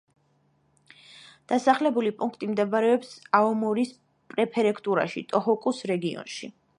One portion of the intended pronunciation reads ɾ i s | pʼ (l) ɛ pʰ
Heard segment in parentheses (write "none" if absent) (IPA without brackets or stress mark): ɾ